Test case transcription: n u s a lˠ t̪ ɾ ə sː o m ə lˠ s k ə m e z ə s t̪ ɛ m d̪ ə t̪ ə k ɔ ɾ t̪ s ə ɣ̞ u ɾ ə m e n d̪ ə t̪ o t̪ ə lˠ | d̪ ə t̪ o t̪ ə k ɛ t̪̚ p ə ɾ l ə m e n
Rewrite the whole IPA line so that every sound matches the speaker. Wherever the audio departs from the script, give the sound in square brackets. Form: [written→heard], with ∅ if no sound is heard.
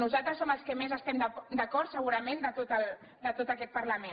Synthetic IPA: n u [s→z] a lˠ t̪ ɾ ə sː o m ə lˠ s k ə m e z ə s t̪ ɛ m d̪ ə [t̪→d̪] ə k ɔ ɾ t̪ s ə ɣ̞ u ɾ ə m e n d̪ ə t̪ o t̪ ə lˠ | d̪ ə t̪ o t̪ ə k ɛ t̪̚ p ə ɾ l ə m e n